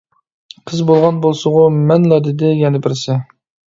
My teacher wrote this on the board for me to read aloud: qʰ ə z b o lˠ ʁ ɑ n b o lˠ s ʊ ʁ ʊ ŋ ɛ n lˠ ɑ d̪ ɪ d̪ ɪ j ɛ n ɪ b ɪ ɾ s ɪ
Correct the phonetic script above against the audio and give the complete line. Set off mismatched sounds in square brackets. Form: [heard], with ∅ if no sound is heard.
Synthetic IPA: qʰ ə z b o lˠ ʁ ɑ n b o lˠ s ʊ ʁ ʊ [m] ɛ n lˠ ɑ d̪ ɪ d̪ ɪ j ɛ n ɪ b ɪ ɾ s ɪ